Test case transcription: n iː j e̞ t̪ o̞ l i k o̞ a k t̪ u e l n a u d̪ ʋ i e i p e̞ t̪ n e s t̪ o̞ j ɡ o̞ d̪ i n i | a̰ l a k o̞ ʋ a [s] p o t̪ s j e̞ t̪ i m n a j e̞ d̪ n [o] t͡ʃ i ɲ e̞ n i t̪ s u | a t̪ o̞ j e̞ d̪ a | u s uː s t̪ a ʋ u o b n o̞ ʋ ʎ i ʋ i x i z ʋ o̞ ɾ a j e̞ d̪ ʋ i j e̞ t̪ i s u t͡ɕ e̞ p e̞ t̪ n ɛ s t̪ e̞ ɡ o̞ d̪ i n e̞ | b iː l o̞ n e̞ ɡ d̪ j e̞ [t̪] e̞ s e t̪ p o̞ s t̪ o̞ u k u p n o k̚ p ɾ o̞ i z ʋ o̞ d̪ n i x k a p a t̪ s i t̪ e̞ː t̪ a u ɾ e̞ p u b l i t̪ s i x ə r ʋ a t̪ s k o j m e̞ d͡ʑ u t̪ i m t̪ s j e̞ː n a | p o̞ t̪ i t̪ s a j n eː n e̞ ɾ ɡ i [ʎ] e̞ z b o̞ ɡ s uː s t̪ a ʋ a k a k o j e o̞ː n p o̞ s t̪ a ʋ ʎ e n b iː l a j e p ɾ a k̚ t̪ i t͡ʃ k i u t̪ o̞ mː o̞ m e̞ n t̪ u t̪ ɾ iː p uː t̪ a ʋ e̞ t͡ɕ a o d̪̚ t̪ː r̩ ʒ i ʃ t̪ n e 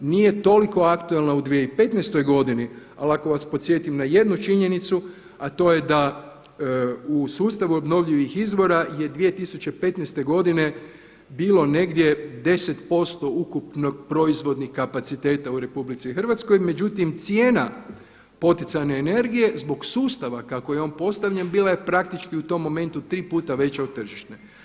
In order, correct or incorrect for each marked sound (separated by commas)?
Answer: correct, incorrect, incorrect, incorrect